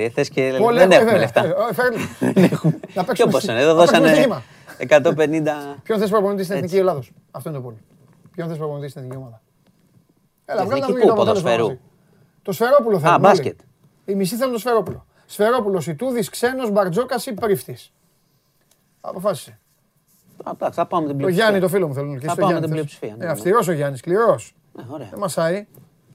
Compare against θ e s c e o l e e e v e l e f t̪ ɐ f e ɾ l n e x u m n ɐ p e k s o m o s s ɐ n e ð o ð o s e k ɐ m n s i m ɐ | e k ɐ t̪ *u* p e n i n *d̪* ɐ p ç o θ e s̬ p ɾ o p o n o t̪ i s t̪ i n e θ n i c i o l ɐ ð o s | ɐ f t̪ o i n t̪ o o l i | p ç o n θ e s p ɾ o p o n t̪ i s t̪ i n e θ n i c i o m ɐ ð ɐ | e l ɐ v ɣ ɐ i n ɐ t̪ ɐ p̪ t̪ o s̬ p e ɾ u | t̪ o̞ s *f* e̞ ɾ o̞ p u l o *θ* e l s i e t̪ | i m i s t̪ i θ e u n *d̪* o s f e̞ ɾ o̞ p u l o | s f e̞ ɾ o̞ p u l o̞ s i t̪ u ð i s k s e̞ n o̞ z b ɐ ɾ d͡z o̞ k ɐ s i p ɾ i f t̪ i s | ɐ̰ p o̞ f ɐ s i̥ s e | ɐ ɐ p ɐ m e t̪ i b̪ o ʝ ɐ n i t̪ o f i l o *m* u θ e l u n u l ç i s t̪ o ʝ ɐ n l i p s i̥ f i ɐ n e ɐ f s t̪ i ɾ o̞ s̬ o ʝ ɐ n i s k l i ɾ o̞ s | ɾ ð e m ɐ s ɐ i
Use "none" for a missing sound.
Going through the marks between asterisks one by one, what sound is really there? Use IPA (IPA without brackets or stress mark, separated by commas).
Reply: o, d̪, f, θ, t̪, m